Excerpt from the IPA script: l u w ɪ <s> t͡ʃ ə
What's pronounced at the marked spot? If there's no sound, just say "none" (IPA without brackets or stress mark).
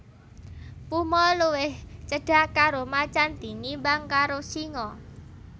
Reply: h